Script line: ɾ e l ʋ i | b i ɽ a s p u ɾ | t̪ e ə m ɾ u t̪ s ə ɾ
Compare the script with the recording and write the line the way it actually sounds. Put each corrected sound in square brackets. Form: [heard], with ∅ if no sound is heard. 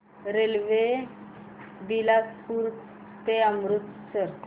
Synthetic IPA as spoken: ɾ e l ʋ [e] | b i [l] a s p u ɾ | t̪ e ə m ɾ u t̪ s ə ɾ